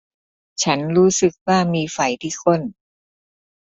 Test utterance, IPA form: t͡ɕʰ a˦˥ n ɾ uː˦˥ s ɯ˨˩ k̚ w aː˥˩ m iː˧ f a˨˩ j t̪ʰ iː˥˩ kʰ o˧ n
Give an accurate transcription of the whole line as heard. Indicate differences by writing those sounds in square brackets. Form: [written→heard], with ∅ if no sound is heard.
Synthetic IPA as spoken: t͡ɕʰ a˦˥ n ɾ uː˦˥ s ɯ˨˩ k̚ w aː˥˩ m iː˧ f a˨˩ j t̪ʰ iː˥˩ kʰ [o˧→o˥˩] n